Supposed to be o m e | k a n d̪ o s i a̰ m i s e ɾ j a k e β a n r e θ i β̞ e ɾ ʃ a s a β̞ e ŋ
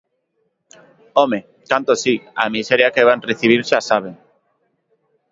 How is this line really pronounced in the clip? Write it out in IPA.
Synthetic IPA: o m e | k a n t̪ o s i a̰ m i s e ɾ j a k e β a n r e θ i β̞ i ɾ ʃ a s a β̞ e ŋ

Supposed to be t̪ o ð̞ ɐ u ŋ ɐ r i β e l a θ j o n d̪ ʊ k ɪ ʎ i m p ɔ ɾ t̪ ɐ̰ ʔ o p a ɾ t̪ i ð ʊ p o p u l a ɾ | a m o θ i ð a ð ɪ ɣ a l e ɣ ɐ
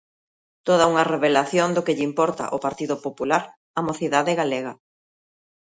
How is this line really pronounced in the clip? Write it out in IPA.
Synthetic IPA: t̪ o ð̞ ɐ u ŋ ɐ r e β e l a θ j o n d̪ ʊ k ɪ ʎ i m p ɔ ɾ t̪ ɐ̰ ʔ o p a ɾ t̪ i ð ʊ p o p u l a ɾ | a m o θ i ð a ð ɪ ɣ a l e ɣ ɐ

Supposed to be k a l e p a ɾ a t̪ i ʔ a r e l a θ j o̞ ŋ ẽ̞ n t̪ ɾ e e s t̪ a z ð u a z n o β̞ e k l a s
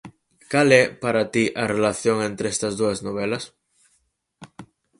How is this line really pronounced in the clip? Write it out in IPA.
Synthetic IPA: k a l e p a ɾ a t̪ i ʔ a r e l a θ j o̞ ŋ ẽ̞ n t̪ ɾ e e s t̪ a z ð u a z n o β̞ e l a s

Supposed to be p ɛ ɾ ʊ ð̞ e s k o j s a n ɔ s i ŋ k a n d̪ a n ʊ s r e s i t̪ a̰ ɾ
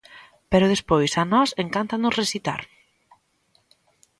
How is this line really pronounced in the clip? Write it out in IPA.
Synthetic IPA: p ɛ ɾ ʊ ð̞ e s p o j s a n ɔ s e ŋ k a n t̪ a n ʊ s r e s i t̪ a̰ ɾ

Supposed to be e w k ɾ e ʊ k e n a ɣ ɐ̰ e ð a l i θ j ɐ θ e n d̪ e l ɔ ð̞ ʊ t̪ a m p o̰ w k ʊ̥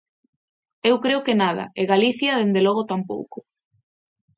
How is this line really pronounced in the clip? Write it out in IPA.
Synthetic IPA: e w k ɾ e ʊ k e n a ð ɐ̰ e ɣ a l i θ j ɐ ð e n d̪ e l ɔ ɣ̞ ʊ t̪ a m p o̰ w k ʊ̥

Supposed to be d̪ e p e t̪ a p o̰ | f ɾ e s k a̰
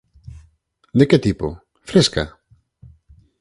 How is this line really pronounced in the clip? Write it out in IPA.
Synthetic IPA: d̪ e k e t̪ i p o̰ | f ɾ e s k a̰

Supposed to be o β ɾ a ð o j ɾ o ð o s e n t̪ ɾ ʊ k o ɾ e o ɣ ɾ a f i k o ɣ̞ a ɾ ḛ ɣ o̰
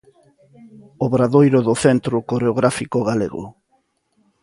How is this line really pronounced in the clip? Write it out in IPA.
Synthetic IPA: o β ɾ a ð o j ɾ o ð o θ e n t̪ ɾ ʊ k o ɾ e o ɣ ɾ a f i k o ɣ̞ a l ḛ ɣ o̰

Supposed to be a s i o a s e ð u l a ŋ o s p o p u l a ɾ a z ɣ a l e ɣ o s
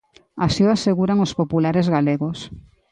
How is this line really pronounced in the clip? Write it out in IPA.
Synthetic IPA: a s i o a s e ɣ u ɾ a ŋ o s p o p u l a ɾ e z ɣ a l e ɣ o s

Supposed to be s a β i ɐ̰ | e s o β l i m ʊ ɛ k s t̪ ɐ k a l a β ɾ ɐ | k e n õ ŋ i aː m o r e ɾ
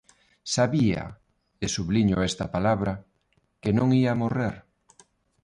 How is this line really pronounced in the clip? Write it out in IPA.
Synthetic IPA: s a β i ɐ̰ | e s u β l i ɲ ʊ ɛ s t̪ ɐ p a l a β ɾ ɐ | k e n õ ŋ i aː m o r e ɾ

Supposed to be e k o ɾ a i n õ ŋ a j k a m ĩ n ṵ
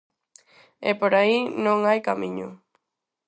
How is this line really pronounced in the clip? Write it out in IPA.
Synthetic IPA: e p o ɾ a i n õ ŋ a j k a m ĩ ɲ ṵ

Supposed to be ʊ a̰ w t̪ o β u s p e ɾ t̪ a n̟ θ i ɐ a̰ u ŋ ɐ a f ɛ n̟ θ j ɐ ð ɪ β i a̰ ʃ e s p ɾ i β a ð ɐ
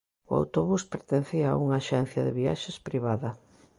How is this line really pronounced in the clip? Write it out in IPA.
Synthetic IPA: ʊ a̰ w t̪ o β u s p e ɾ t̪ e n̟ θ i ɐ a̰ u ŋ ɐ a ʃ ɛ n̟ θ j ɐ ð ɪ β i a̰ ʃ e s p ɾ i β a ð ɐ

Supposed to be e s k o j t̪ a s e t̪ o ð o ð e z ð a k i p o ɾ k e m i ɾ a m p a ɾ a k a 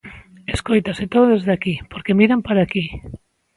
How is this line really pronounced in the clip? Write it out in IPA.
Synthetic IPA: e s k o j t̪ a s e t̪ o ð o ð e z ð a k i p o ɾ k e m i ɾ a m p a ɾ a k i

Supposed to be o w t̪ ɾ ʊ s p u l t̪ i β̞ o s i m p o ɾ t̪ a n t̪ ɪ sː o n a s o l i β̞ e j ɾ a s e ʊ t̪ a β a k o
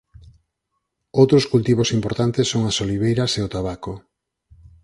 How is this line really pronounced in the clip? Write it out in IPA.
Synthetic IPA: o w t̪ ɾ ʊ s k u l t̪ i β̞ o s i m p o ɾ t̪ a n t̪ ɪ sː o ŋ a s o l i β̞ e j ɾ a s e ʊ t̪ a β a k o

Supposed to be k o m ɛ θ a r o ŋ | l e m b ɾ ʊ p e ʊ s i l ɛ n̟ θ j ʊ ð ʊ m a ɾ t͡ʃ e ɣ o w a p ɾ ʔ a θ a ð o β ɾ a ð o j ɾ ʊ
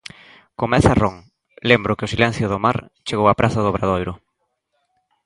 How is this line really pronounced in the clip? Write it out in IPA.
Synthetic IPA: k o m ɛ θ a r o ŋ | l e m b ɾ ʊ k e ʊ s i l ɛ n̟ θ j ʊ ð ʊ m a ɾ t͡ʃ e ɣ o w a p ɾ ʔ a θ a ð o β ɾ a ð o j ɾ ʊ

